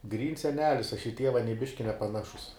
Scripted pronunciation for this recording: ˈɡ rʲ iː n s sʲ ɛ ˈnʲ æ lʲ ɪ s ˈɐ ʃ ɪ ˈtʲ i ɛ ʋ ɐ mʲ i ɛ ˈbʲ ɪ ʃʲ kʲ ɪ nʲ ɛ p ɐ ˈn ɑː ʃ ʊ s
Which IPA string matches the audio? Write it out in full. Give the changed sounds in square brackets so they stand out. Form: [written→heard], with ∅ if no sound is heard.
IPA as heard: ˈɡ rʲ iː n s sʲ ɛ ˈnʲ [æ→æː] lʲ ɪ s ˈɐ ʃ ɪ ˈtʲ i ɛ ʋ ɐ [mʲ→nʲ] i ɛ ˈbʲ ɪ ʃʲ kʲ ɪ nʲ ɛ p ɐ ˈn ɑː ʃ ʊ s